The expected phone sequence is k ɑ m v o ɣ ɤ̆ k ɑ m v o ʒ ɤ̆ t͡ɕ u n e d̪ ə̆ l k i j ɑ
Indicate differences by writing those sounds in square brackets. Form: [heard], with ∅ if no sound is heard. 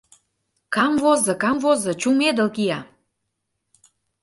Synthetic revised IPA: k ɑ m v o [z] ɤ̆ k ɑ m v o [z] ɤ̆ t͡ɕ u [m] e d̪ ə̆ l k i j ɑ